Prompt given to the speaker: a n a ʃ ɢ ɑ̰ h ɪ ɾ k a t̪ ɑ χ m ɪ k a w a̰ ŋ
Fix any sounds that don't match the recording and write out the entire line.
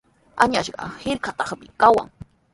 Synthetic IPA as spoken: a ɲ a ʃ ɢ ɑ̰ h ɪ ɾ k a t̪ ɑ χ m ɪ k a w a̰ ŋ